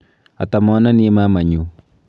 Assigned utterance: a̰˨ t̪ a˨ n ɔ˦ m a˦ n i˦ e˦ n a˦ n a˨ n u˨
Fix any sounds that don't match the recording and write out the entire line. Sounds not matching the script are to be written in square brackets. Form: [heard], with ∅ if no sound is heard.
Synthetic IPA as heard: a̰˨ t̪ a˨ [m] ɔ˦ [n] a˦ n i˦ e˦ [m] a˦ [m] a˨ [ɲ] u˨